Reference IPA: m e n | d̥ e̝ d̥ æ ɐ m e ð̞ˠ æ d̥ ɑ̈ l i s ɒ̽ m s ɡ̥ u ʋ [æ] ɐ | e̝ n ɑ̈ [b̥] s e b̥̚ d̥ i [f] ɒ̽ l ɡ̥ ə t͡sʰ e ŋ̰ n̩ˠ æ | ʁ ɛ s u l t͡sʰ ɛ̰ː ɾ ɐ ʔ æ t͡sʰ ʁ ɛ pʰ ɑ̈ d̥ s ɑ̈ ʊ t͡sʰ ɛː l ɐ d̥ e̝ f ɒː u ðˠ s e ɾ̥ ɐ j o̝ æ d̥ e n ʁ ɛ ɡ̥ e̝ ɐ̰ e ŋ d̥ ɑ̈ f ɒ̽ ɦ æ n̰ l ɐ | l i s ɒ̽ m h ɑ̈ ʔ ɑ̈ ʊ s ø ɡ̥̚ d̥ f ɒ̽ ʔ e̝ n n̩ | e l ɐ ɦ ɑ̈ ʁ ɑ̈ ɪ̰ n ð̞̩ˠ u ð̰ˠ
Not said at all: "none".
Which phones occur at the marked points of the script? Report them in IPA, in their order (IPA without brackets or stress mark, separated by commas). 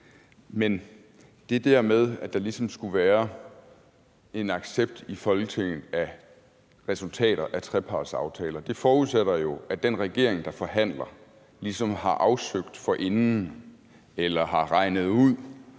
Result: æː, ɡ̥, f